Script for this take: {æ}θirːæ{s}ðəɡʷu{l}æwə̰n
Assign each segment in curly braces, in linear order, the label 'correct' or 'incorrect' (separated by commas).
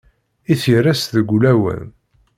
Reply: incorrect, correct, correct